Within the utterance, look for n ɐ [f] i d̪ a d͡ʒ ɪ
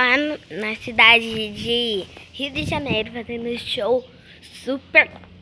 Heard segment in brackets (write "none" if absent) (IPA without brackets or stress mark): s